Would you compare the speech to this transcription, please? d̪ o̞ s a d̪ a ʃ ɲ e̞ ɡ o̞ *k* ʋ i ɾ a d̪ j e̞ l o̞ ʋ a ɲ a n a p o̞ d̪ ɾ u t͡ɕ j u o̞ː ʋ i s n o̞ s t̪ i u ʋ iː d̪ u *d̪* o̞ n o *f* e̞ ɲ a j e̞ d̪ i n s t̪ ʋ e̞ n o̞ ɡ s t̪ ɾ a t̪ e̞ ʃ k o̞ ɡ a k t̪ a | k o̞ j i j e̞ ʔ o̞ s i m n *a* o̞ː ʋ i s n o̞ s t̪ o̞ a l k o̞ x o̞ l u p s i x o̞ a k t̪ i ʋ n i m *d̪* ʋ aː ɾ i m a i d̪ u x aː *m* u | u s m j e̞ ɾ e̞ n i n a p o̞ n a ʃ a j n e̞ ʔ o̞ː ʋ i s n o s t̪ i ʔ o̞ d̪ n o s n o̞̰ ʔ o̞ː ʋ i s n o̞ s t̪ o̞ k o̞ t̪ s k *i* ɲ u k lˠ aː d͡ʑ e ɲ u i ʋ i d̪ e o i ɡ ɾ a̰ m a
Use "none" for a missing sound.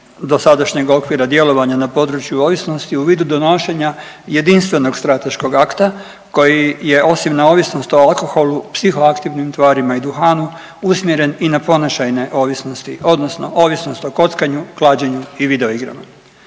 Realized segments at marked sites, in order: k, d̪, ʃ, a, t̪, n, a

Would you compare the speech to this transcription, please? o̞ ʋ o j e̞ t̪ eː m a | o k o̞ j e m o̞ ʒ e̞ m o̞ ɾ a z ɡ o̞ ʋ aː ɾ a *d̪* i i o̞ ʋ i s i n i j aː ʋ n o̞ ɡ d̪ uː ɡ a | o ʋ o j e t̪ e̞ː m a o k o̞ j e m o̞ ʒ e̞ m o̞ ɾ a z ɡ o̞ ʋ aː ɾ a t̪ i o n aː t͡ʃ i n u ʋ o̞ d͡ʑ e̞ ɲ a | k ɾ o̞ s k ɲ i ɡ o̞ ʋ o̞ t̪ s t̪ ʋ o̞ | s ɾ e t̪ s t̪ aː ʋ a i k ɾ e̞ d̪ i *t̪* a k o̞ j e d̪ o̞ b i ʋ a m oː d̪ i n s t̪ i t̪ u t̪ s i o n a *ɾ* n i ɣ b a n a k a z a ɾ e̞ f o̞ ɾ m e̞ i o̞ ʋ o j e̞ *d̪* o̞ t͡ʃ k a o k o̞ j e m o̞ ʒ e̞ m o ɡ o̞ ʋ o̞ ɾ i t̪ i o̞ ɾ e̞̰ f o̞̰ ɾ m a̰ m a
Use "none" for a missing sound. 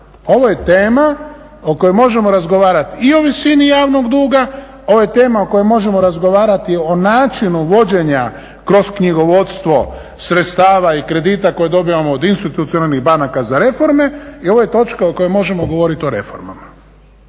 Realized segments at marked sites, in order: t̪, t̪, l, t̪

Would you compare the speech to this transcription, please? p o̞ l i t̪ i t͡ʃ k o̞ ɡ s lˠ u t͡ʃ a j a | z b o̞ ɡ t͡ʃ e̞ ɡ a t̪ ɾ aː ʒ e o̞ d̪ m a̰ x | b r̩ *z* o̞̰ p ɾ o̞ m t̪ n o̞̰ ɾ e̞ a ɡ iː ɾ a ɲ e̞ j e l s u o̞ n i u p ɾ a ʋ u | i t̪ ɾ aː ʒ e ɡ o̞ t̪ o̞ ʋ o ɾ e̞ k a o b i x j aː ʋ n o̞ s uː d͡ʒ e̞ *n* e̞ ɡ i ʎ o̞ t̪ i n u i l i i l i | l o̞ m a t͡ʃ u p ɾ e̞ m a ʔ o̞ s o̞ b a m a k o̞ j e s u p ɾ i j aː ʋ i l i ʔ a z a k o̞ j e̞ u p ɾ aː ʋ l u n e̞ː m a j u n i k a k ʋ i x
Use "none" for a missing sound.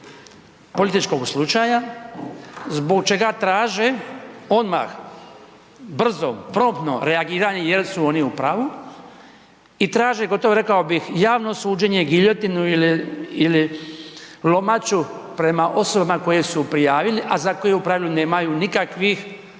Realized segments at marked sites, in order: z, ɲ

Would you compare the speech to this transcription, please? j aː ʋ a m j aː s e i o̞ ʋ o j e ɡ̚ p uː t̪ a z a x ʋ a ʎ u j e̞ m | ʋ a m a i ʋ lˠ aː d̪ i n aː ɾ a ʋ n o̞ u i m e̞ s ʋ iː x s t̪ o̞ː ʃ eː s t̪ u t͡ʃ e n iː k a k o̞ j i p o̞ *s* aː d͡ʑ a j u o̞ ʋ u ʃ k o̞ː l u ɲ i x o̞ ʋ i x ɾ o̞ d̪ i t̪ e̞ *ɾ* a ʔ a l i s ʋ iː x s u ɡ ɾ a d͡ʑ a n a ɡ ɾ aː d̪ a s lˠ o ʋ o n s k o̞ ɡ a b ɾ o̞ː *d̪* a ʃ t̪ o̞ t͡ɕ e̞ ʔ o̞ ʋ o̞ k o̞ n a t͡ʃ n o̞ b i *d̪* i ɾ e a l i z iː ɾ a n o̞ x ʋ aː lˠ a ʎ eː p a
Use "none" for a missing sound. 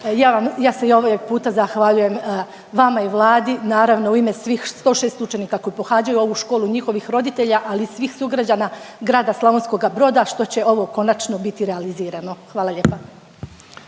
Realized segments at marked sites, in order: x, ʎ, d̪, t̪

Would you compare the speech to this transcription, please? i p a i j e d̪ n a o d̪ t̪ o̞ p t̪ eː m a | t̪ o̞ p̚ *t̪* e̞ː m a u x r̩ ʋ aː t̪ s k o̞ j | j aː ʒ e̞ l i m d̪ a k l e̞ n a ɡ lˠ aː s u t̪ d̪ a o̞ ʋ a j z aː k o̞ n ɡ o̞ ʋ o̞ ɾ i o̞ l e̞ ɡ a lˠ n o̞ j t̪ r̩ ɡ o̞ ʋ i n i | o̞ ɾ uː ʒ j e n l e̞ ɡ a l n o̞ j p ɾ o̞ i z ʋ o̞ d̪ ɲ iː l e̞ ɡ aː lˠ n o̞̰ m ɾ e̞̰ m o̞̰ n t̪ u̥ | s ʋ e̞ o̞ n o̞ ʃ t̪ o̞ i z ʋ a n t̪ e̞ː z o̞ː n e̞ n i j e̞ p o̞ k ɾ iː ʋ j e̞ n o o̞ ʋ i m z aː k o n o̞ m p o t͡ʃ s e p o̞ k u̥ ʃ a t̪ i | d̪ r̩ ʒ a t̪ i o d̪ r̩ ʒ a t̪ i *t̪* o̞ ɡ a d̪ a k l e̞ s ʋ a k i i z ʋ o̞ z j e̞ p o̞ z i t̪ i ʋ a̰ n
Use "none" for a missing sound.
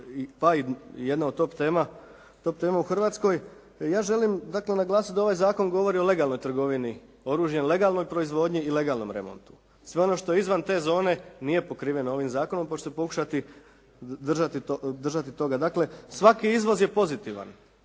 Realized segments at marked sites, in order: t̪, t̪

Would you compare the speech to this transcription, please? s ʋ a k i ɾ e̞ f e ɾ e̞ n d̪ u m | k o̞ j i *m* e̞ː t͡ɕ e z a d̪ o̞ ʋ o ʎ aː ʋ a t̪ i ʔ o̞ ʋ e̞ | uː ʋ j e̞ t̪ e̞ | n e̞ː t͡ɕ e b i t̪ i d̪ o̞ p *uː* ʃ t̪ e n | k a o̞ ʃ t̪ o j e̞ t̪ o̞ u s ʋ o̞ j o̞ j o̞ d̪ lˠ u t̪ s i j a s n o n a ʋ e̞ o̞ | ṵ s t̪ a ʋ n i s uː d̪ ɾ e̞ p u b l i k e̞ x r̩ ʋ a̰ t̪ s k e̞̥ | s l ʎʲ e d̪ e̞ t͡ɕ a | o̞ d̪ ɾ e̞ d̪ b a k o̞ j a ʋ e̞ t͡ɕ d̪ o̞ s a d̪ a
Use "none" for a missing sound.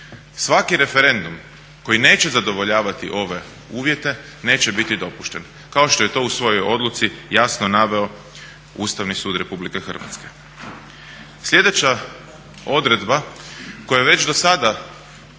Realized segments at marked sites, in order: n, u

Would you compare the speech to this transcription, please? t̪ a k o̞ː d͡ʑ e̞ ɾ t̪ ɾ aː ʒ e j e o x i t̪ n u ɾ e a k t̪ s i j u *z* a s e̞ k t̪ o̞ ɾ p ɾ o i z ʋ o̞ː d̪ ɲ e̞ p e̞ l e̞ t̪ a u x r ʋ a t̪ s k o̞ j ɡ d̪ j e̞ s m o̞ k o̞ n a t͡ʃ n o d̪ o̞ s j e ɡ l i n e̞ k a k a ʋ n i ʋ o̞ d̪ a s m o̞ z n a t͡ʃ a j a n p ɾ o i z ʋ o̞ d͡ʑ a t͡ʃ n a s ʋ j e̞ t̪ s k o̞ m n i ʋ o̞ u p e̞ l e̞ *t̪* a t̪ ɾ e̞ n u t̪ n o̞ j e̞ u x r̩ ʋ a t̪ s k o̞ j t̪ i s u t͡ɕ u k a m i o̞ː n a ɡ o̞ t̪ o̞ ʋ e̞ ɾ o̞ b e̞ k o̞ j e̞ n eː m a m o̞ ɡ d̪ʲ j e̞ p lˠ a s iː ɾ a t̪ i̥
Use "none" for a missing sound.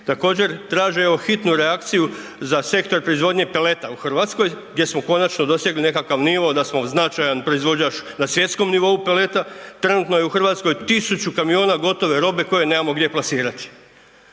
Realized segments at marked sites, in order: z, t̪

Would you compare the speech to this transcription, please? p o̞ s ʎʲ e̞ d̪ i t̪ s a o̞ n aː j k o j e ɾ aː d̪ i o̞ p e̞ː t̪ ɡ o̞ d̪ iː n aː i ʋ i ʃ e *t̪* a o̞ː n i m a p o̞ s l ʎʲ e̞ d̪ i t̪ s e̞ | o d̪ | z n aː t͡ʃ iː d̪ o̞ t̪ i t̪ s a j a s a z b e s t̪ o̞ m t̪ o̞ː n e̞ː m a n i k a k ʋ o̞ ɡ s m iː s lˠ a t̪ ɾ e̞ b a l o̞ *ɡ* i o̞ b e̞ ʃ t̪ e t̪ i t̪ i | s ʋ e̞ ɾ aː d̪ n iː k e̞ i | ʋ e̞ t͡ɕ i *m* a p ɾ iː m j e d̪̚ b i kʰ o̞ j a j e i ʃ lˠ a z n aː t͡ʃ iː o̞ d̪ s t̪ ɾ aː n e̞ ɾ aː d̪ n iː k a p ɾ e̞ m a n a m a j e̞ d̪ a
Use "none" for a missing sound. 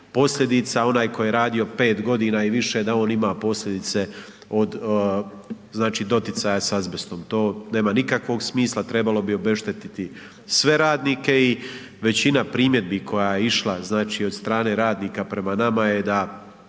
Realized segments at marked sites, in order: d̪, b, n

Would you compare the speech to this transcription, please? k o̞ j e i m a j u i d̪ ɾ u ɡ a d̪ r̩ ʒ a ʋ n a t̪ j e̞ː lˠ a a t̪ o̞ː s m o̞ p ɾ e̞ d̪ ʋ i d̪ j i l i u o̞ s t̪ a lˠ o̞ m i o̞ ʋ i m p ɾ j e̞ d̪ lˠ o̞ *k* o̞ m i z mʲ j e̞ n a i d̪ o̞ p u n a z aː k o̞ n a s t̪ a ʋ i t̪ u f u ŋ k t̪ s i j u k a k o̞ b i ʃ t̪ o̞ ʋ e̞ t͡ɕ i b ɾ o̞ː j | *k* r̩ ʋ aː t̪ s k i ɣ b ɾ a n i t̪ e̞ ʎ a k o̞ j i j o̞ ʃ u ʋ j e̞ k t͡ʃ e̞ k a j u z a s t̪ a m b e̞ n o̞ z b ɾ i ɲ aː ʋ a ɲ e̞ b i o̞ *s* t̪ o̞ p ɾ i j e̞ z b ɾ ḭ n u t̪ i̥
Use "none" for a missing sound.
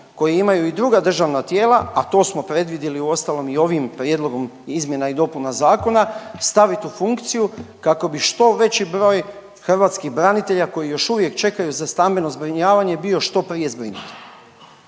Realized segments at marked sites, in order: ɡ, x, ʃ

